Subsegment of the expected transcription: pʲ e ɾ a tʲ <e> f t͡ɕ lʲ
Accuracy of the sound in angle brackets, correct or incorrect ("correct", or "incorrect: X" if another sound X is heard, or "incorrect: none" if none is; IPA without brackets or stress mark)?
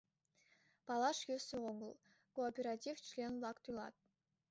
incorrect: i